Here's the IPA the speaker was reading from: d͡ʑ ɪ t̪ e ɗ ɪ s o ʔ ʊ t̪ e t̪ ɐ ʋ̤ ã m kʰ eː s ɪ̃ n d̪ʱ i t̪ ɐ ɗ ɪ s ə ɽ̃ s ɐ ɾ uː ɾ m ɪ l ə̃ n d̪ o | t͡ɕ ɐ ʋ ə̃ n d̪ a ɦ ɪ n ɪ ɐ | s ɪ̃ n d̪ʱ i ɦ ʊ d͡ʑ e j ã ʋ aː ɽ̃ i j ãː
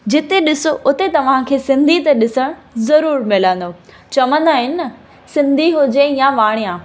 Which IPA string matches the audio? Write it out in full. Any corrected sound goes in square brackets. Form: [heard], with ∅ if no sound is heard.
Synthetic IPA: d͡ʑ ɪ t̪ e ɗ ɪ s o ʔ ʊ t̪ e t̪ ɐ ʋ̤ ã [∅] kʰ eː s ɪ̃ n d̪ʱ i t̪ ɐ ɗ ɪ s ə ɽ̃ [z] ɐ ɾ uː ɾ m ɪ l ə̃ n d̪ o | t͡ɕ ɐ ʋ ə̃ n d̪ a ɦ ɪ n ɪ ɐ | s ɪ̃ n d̪ʱ i ɦ ʊ d͡ʑ e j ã ʋ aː ɽ̃ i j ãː